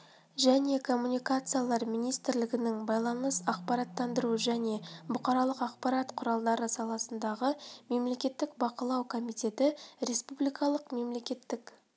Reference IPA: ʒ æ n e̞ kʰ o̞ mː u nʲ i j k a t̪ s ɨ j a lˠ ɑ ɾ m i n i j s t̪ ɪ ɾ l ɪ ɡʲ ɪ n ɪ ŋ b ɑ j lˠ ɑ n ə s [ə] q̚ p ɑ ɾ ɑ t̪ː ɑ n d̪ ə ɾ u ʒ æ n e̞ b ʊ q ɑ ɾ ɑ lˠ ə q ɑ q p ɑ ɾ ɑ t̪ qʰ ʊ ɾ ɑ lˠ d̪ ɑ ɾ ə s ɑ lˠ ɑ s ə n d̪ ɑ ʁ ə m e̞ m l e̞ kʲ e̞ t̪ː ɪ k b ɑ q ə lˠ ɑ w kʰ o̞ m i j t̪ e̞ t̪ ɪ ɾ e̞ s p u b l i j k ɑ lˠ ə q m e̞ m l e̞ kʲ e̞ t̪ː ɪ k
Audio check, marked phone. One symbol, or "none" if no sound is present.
ɑ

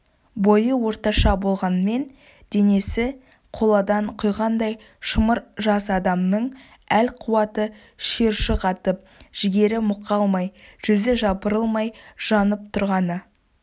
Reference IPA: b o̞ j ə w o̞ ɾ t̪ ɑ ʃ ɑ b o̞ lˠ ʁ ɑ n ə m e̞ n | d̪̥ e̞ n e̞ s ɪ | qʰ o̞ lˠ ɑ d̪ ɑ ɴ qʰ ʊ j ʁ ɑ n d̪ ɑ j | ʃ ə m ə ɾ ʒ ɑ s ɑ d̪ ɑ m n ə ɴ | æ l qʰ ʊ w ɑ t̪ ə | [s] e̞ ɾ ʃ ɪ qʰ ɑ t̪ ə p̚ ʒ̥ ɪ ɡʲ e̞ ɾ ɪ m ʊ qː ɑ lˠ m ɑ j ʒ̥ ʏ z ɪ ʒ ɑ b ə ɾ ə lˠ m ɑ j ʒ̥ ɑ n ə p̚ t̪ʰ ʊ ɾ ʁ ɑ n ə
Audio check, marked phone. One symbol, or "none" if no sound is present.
ʃ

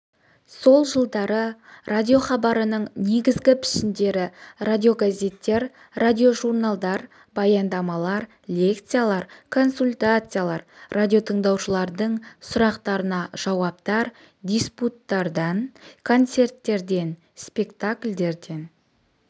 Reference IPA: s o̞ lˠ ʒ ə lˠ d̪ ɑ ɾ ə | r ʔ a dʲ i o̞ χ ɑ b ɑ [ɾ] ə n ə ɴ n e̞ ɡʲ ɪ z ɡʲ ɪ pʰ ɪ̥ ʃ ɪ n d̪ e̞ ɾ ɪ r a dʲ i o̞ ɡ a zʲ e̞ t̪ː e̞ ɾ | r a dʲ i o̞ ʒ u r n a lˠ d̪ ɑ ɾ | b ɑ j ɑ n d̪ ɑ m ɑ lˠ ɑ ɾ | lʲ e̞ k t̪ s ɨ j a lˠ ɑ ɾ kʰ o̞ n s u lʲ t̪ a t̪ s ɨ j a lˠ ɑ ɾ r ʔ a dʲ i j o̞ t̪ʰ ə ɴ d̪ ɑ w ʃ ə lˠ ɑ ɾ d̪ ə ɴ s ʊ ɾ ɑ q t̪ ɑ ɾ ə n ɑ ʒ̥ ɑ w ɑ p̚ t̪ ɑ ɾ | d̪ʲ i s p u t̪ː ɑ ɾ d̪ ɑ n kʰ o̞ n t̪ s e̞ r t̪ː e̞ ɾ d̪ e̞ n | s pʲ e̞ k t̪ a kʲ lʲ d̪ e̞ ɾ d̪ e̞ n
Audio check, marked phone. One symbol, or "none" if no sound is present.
ɾ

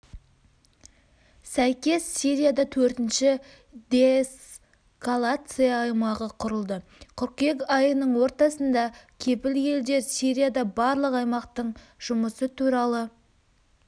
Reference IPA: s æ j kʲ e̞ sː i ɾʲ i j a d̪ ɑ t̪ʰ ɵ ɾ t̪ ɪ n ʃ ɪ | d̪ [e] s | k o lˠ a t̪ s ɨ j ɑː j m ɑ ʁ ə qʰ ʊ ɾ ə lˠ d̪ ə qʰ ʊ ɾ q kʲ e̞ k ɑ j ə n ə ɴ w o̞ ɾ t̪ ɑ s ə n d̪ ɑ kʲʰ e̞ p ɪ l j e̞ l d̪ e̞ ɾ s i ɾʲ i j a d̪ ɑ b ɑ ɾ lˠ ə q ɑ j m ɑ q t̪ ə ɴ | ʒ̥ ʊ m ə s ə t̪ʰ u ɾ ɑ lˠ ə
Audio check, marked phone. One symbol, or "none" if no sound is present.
e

